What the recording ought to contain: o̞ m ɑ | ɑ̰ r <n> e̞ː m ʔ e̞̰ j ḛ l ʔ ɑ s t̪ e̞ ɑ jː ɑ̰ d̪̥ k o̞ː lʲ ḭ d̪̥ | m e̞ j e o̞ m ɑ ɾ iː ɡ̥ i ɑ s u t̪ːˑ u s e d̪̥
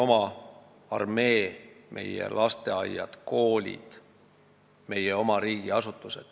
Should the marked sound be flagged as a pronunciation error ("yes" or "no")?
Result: yes